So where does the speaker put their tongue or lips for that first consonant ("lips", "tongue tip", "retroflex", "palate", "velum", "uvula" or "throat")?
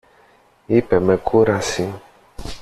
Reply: lips